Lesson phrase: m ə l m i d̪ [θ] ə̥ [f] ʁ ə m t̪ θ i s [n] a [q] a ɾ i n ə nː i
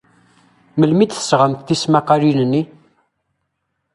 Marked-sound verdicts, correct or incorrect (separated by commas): correct, incorrect, incorrect, correct